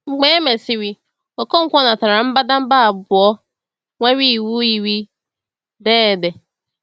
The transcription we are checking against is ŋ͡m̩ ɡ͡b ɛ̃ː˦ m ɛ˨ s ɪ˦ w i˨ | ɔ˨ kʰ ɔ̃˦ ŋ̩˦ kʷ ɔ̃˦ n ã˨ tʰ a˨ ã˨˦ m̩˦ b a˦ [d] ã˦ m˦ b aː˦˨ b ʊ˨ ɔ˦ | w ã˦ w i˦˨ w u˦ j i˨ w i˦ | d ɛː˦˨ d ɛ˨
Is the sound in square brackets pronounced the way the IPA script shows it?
yes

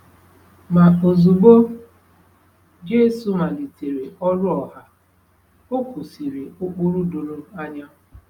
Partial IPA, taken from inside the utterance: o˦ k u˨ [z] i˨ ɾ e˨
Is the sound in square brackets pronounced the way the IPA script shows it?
no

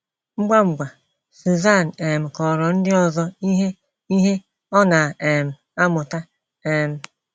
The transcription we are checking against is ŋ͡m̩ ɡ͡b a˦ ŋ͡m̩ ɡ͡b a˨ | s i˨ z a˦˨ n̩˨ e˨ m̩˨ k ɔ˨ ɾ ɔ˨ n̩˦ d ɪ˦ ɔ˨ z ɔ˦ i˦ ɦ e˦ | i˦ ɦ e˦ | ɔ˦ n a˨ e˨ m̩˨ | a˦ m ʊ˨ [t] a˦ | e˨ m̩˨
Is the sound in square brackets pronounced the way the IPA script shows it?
yes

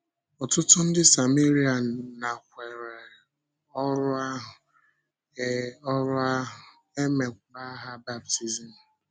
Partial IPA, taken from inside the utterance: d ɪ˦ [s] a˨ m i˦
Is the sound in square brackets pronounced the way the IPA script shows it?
yes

